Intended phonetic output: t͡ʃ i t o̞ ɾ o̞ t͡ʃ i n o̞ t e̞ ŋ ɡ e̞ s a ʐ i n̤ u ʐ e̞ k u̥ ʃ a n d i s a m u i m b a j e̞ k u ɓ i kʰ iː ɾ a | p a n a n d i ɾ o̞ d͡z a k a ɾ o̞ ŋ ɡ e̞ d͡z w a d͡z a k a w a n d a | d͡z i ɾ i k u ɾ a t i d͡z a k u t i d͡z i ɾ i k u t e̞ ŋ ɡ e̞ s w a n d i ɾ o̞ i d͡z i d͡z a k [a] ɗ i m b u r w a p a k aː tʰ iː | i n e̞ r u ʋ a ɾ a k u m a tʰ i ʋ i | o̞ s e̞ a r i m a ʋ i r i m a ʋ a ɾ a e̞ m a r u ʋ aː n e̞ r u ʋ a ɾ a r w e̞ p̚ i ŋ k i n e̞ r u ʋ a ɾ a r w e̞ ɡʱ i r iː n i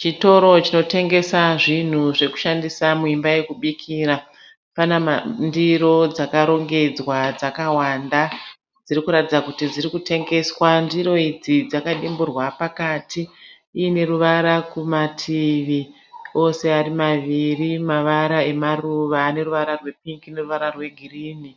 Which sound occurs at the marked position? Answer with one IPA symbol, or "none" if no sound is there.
a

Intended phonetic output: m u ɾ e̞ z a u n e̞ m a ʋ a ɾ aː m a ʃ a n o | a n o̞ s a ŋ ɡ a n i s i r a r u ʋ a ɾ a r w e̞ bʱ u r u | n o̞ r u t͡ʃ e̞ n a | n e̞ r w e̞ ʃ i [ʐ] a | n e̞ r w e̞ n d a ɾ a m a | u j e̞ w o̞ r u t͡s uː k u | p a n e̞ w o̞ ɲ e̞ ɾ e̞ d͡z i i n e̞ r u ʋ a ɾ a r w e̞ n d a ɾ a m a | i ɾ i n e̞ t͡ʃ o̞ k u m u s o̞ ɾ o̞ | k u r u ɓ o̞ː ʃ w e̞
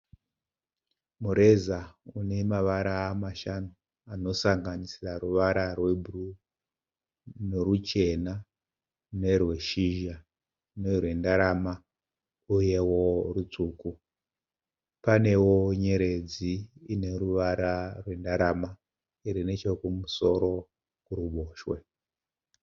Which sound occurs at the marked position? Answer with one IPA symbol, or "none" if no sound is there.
ʒ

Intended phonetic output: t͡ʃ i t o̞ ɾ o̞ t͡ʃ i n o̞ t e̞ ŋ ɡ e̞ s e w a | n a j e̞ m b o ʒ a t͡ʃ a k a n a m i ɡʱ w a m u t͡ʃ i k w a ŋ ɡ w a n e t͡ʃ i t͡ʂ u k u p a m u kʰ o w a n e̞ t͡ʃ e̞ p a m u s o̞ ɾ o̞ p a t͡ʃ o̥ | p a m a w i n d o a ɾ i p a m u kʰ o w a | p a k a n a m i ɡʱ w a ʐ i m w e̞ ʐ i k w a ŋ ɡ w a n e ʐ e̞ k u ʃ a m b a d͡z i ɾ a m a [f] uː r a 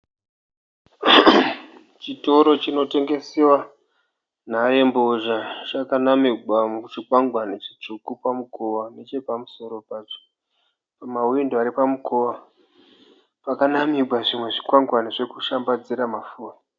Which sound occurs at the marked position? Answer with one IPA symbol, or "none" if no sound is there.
f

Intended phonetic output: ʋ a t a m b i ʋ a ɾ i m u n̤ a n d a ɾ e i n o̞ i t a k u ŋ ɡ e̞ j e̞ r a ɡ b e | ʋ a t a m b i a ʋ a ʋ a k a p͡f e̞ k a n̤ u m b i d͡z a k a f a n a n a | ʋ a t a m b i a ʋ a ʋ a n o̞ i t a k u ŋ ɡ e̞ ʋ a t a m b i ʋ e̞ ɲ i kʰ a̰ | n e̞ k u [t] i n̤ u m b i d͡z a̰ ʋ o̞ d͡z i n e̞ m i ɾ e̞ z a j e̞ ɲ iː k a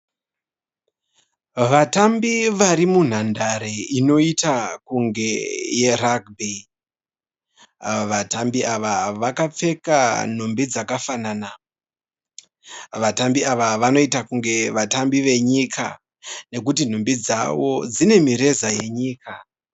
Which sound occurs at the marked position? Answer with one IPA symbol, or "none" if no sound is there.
t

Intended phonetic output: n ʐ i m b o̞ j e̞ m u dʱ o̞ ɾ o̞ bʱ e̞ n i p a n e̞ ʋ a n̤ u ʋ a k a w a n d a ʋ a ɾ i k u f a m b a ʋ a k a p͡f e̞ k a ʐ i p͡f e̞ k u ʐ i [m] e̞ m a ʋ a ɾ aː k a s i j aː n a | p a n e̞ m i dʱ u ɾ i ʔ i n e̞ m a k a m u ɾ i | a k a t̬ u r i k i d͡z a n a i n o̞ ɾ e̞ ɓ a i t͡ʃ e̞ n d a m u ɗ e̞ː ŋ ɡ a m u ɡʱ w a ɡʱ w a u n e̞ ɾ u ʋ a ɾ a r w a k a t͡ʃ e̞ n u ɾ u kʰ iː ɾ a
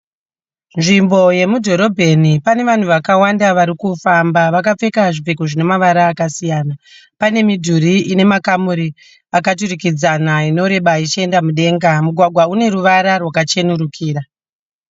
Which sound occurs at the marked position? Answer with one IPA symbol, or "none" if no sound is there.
n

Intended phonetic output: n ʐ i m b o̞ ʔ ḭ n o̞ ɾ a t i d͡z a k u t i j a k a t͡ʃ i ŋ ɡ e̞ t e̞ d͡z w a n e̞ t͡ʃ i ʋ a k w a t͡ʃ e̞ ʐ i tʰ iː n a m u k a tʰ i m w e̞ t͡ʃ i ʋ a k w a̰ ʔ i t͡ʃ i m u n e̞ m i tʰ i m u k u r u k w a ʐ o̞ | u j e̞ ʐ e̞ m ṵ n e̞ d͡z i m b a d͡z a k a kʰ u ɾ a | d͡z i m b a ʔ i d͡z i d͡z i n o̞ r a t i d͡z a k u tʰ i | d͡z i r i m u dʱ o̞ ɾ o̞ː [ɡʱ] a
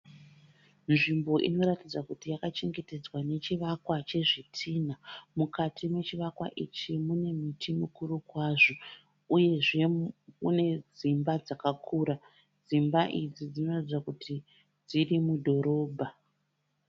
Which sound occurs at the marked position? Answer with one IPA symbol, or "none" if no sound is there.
bʱ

